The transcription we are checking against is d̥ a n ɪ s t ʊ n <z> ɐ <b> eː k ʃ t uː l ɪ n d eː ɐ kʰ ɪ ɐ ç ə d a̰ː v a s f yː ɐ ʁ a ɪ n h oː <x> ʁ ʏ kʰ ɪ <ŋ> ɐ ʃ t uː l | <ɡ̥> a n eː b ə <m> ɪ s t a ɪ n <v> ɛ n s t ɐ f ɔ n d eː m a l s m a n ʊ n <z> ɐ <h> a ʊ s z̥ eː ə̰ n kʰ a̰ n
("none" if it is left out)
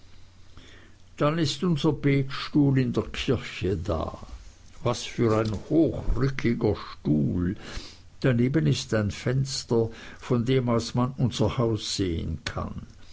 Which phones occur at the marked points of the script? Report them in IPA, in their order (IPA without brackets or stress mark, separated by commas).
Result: z, b, x, ɡ, d̥, n, f, z, h